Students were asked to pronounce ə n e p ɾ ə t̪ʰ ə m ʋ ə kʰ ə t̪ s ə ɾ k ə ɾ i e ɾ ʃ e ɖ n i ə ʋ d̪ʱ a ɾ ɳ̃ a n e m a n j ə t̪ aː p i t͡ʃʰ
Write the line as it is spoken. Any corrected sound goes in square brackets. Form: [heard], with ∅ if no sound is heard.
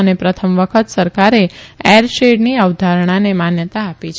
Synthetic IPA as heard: ə n e p ɾ ə t̪ʰ ə m ʋ ə kʰ ə t̪ s ə ɾ k [a] ɾ [e] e ɾ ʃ e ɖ n i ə ʋ d̪ʱ a ɾ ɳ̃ a n e m a n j ə t̪ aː p i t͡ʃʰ